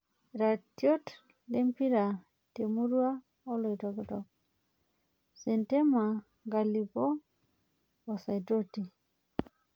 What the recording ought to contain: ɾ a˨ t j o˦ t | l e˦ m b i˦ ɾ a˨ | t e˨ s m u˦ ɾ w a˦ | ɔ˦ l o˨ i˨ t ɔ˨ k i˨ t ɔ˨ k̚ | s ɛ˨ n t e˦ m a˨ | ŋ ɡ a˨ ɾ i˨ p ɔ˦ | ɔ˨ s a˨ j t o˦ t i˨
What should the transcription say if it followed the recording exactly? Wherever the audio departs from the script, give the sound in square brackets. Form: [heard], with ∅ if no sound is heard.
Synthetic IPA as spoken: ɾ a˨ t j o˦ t | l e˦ m [p] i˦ ɾ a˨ | t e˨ [∅] m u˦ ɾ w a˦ | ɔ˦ l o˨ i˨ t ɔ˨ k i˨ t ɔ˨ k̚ | s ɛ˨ n t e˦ m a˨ | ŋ ɡ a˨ [l] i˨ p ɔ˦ | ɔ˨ s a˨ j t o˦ t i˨